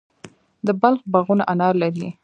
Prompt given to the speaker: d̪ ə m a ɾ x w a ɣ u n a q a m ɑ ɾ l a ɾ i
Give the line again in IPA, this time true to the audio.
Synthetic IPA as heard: d̪ ə b a l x b a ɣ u n a ʔ a n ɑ ɾ l a ɾ i